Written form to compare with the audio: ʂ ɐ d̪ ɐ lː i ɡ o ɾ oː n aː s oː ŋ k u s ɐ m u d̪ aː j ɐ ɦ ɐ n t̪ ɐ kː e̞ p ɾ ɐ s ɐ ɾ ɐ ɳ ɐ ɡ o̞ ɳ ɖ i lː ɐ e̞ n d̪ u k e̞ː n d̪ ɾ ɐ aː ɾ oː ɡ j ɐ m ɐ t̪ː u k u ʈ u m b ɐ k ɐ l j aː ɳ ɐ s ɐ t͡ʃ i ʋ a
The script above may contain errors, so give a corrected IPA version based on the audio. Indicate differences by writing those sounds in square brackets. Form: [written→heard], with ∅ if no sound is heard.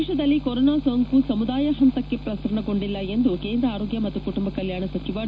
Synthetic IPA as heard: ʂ ɐ d̪ ɐ lː i [ɡ→k] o ɾ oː n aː s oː ŋ k u s ɐ m u d̪ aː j ɐ ɦ ɐ n t̪ ɐ kː e̞ p ɾ ɐ s ɐ ɾ ɐ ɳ ɐ ɡ o̞ ɳ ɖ i lː ɐ e̞ n d̪ u k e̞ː n d̪ ɾ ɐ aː ɾ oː ɡ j ɐ m ɐ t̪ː u k u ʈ u m b ɐ k ɐ l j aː ɳ ɐ s ɐ t͡ʃ i ʋ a